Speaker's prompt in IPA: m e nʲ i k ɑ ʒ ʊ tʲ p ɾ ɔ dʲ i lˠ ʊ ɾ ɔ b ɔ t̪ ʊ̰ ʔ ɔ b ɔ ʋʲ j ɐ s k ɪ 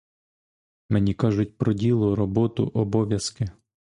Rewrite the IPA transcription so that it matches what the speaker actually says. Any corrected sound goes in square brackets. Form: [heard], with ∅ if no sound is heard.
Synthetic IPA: m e nʲ i k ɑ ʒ ʊ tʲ p ɾ ɔ dʲ i lˠ ʊ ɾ ɔ b ɔ t̪ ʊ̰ ʔ ɔ b ɔ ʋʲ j ɐ s k ɪ